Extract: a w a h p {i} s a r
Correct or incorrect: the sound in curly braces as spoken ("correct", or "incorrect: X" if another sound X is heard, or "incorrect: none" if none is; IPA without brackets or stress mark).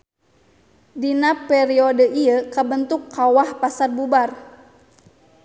incorrect: a